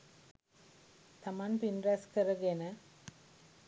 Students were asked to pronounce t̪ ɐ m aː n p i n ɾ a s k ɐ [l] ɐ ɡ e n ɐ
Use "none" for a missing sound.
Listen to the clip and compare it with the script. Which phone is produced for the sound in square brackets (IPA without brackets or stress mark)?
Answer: ɾ